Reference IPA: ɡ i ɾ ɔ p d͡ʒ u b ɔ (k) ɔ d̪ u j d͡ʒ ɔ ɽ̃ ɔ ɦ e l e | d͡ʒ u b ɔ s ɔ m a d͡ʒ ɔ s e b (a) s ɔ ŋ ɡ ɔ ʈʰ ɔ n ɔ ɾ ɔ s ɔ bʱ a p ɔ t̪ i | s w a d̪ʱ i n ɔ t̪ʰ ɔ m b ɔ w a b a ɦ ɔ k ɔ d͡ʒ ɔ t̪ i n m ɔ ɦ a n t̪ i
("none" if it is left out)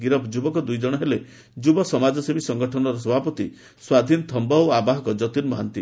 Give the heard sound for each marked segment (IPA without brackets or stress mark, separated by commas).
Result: k, i